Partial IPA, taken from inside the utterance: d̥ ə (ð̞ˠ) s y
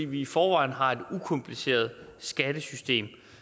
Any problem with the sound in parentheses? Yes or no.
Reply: yes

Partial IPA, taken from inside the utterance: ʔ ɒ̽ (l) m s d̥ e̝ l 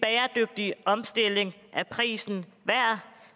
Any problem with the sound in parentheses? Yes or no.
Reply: yes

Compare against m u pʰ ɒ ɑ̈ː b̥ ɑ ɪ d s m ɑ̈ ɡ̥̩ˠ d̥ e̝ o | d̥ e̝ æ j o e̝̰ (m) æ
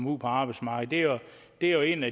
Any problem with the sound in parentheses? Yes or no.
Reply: yes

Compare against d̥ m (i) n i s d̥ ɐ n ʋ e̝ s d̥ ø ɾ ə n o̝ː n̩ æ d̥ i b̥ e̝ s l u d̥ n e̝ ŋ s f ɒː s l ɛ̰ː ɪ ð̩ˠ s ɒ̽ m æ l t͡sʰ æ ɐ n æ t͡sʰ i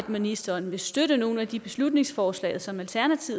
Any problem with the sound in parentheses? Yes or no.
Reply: no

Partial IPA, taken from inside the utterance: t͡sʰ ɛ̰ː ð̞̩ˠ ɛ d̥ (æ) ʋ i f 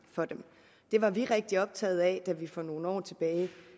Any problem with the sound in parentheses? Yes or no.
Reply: no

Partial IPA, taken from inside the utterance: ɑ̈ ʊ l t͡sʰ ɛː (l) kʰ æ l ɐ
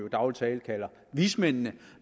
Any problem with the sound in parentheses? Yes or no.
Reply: no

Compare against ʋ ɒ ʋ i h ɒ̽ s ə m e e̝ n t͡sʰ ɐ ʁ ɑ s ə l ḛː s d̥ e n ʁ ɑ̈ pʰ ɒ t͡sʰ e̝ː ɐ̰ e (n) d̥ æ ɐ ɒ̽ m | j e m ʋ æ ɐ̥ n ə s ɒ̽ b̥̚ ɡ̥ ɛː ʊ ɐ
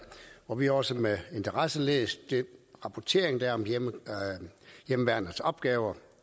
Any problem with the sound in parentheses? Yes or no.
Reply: yes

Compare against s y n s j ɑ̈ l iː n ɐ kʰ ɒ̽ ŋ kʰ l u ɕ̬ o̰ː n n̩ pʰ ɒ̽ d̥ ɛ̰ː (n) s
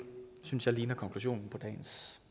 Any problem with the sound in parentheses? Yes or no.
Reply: no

